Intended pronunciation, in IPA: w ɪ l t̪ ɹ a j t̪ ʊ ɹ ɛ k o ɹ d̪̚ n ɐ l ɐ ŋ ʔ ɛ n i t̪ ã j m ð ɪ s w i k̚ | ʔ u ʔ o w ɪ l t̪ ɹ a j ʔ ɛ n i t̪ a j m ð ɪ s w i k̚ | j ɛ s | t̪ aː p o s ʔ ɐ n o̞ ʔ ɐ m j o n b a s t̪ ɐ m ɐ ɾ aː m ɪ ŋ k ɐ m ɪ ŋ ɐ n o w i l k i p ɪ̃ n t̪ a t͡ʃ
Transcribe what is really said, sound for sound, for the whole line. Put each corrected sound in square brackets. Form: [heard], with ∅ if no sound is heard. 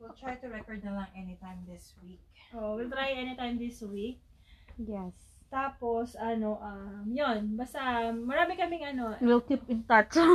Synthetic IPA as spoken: w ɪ l t̪ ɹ a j t̪ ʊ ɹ ɛ k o ɹ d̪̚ n ɐ l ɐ ŋ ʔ ɛ n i t̪ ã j m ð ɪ s w i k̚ | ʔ [o] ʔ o w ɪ l t̪ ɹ a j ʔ ɛ n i t̪ a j m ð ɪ s w i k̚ | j ɛ s | t̪ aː p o s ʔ ɐ n o̞ ʔ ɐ m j o n b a s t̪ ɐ m ɐ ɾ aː m ɪ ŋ k ɐ m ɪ ŋ ɐ n o w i l k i p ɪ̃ n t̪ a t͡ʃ